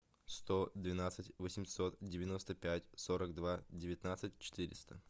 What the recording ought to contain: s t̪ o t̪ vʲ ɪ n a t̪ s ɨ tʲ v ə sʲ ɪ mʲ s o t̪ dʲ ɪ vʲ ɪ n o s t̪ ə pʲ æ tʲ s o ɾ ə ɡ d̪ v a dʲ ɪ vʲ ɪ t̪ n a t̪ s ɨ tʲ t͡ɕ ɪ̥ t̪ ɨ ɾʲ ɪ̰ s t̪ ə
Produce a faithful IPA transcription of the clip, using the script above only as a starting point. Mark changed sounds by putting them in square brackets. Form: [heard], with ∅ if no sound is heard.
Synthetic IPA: s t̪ o [d̪] vʲ ɪ n a t̪ s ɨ tʲ v ə sʲ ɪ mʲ s o t̪ dʲ ɪ vʲ ɪ n o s t̪ ə pʲ æ tʲ s o ɾ ə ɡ d̪ v a dʲ ɪ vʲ ɪ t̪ n a t̪ s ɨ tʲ t͡ɕ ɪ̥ t̪ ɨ ɾʲ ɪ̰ s t̪ ə